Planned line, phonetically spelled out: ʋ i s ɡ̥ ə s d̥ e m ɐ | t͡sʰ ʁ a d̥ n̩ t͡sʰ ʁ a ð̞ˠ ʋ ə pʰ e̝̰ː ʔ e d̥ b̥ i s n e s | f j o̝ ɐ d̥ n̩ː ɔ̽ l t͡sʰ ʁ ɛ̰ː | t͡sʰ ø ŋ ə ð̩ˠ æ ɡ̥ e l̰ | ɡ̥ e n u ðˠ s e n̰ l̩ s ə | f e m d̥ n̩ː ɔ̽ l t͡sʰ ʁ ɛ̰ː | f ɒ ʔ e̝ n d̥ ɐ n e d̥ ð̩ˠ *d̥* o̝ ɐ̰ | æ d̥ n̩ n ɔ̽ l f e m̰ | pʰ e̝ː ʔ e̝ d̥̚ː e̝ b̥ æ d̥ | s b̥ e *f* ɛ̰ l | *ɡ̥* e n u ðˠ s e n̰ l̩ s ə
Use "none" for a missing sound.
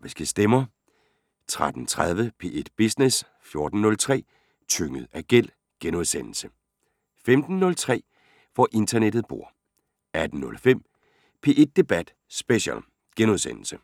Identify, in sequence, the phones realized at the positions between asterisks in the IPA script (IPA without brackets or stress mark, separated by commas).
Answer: b̥, ɕ, ɡ̥